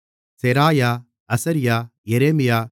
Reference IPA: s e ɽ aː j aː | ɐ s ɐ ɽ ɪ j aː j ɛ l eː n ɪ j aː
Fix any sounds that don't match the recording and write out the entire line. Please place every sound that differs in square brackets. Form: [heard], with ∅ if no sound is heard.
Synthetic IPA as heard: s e [ɾ] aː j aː | ɐ s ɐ [ɾ] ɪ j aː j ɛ [ɾ] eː [m] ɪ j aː